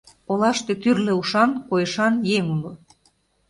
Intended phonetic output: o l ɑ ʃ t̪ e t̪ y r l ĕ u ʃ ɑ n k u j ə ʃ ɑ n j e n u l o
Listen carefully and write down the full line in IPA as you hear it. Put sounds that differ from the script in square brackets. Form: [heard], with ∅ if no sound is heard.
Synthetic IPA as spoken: o l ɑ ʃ t̪ e t̪ y r l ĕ u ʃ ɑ n k [o] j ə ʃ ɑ n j e [ŋ] u l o